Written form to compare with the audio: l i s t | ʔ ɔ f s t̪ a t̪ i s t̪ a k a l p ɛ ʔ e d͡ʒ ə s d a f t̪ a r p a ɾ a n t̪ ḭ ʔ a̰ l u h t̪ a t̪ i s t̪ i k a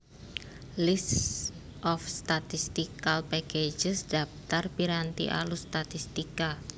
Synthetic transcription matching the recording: l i s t | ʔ ɔ f s t̪ a t̪ i s t̪ i k a l p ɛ k e d͡ʒ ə s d a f t̪ a r p i ɾ a n t̪ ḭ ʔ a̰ l u s t̪ a t̪ i s t̪ i k a